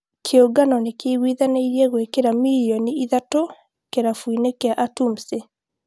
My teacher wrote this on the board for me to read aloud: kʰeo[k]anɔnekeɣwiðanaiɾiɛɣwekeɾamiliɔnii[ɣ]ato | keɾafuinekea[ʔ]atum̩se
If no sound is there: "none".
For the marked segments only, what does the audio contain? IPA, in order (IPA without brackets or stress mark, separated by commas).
ɡ, ð, ʔ